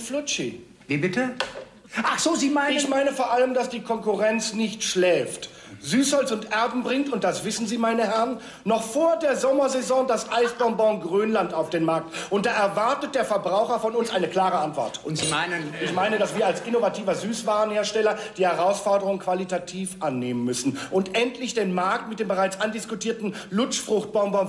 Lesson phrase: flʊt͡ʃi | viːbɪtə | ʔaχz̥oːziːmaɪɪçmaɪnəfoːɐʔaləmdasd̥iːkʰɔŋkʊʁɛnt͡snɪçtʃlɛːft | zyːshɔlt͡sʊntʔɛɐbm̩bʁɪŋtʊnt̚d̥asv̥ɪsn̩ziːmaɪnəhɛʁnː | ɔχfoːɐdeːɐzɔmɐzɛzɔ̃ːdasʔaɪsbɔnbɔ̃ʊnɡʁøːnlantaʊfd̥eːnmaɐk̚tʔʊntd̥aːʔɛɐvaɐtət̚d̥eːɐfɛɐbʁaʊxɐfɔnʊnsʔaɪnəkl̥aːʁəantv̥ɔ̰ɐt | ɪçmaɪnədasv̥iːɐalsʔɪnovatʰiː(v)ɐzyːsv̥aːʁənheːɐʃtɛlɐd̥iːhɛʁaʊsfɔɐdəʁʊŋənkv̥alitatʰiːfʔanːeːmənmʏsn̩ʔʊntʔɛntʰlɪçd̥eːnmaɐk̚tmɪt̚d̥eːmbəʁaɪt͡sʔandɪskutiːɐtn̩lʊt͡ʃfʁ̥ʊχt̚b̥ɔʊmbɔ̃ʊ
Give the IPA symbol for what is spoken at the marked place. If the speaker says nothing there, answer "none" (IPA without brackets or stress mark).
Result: v